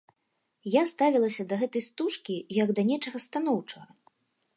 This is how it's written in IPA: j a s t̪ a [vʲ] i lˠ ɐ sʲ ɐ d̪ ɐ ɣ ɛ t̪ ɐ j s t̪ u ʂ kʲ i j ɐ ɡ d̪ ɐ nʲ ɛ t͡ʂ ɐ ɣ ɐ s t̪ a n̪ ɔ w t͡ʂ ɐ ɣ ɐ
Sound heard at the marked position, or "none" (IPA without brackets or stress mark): vʲ